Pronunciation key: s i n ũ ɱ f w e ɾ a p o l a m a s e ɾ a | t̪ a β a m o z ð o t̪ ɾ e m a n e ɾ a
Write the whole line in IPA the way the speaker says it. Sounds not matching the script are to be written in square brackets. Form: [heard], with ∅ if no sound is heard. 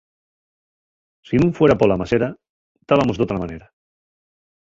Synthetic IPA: s i n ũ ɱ f w e ɾ a p o l a m a s e ɾ a | t̪ a β a m o z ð o t̪ ɾ [a] m a n e ɾ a